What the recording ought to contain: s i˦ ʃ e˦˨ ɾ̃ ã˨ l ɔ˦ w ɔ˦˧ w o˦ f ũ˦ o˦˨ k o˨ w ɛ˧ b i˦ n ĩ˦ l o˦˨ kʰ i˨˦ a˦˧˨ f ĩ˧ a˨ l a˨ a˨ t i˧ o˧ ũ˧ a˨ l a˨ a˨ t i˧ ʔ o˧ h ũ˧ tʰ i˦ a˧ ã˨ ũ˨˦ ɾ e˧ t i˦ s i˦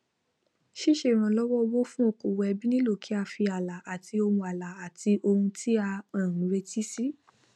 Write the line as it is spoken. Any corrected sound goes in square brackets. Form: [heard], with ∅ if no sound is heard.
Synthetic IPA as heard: [ʃ] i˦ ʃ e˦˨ ɾ̃ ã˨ l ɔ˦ w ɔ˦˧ w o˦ f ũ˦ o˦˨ k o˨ w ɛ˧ b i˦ n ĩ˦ l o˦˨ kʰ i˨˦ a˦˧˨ f [i˧] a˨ l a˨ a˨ t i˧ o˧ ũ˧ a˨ l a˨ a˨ t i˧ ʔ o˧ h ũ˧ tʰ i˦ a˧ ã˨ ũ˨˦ ɾ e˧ t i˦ s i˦